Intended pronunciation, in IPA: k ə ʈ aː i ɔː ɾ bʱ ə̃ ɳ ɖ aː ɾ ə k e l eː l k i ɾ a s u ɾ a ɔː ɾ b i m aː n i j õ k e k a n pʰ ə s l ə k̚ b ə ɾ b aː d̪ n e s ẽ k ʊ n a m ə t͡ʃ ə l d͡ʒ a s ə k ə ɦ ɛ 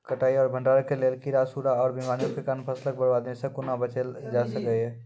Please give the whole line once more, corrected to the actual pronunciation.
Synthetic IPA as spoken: k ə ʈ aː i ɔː ɾ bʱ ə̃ ɳ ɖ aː ɾ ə k e l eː l k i ɾ a s u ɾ a ɔː ɾ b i m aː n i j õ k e k a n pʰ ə s l ə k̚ b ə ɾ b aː d̪ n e s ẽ k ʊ n a b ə t͡ʃ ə l d͡ʒ a s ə k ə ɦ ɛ